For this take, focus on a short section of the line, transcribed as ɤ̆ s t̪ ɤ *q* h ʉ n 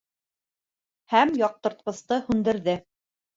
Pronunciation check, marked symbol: incorrect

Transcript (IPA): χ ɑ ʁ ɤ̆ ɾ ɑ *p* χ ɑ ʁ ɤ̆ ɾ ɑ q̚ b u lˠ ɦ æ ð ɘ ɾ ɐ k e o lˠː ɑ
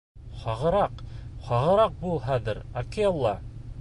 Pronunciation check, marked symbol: incorrect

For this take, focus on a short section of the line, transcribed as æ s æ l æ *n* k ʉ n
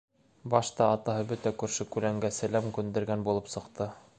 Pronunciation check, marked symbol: incorrect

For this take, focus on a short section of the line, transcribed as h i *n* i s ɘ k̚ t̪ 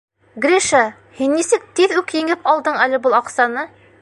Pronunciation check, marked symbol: incorrect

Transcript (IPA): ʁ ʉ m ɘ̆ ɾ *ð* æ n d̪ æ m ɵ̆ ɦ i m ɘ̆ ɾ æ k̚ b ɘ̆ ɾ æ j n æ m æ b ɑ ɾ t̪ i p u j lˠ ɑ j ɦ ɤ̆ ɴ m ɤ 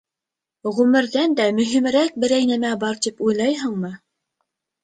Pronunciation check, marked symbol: correct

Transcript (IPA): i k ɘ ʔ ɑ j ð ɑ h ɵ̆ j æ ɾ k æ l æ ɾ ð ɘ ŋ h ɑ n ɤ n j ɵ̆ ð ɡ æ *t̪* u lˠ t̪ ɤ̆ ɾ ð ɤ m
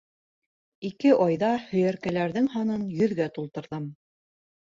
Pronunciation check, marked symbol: correct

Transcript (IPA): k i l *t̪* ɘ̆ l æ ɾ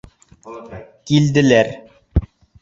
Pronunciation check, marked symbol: incorrect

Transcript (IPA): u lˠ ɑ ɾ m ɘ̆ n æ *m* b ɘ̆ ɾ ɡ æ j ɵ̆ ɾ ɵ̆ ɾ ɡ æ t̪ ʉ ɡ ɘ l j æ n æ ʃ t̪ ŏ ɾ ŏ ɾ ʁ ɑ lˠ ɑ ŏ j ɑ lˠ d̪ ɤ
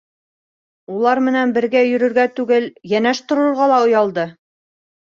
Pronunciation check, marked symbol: incorrect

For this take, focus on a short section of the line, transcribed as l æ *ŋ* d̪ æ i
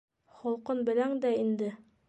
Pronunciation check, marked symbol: correct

